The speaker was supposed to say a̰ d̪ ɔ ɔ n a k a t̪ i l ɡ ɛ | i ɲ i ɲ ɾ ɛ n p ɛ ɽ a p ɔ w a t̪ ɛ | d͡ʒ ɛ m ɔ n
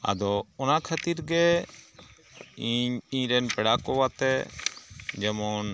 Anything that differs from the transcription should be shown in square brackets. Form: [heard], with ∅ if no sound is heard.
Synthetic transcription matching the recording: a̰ d̪ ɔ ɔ n a [kʰ] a t̪ i [ɾ] ɡ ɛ | i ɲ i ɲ ɾ ɛ n p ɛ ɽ a [k] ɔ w a t̪ ɛ | d͡ʒ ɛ m ɔ n